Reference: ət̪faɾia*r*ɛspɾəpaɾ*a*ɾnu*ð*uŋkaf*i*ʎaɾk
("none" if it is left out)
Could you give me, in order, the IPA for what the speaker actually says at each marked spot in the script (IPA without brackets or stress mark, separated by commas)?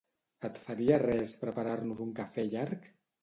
r, a, z, ɛ